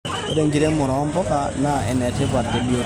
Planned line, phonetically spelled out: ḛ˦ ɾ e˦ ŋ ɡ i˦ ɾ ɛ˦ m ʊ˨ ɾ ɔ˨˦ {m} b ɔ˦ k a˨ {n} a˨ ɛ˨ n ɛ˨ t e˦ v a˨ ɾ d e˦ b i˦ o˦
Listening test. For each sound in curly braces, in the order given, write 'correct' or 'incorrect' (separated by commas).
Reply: correct, correct